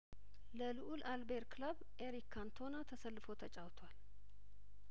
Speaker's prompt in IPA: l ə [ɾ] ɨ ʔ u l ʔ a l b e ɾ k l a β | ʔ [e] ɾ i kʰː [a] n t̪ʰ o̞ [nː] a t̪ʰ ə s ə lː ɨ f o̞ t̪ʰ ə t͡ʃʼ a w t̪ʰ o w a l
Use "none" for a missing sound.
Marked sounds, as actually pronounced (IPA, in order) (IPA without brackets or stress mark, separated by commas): l, e, a, n